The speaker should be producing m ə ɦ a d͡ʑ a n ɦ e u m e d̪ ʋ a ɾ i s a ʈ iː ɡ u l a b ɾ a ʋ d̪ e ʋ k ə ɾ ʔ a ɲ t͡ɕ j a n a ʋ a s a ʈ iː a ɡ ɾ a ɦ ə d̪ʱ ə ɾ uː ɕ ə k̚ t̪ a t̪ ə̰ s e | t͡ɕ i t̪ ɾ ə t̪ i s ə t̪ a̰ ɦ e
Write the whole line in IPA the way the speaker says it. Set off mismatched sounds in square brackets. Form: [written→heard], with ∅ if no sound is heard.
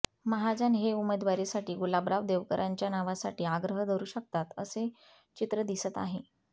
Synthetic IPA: m ə ɦ a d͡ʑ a n ɦ e u m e d̪ ʋ a ɾ i s a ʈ iː ɡ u l a b ɾ a ʋ d̪ e ʋ k ə ɾ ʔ a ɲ t͡ɕ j a n a ʋ a s a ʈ iː a ɡ ɾ [a→ə] ɦ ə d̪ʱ ə ɾ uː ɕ ə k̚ t̪ a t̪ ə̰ s e | t͡ɕ i t̪ ɾ ə [t̪→d̪] i s ə t̪ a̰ ɦ e